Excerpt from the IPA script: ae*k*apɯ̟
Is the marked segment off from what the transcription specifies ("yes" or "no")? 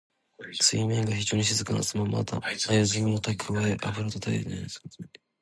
yes